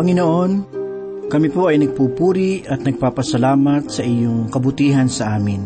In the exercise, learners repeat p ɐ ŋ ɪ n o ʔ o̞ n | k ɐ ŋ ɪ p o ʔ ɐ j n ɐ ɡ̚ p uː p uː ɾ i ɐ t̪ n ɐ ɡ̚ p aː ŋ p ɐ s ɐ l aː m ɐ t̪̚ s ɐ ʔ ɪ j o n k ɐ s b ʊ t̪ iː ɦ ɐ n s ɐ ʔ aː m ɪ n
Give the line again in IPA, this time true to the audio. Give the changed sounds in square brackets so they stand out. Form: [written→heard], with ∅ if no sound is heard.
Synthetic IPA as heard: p ɐ ŋ ɪ n o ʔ o̞ n | k ɐ [ŋ→m] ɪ p o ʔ ɐ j n ɐ ɡ̚ p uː p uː ɾ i ɐ t̪ n ɐ ɡ̚ p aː [ŋ→∅] p ɐ s ɐ l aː m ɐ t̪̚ s ɐ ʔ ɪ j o [n→ŋ] k ɐ [s→∅] b ʊ t̪ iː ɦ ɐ n s ɐ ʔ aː m ɪ n